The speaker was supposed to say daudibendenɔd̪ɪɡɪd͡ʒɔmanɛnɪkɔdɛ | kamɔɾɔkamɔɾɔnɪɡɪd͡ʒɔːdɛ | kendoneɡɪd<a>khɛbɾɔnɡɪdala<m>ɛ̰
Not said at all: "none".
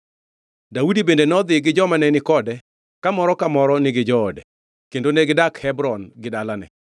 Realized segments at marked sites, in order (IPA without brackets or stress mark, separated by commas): a, n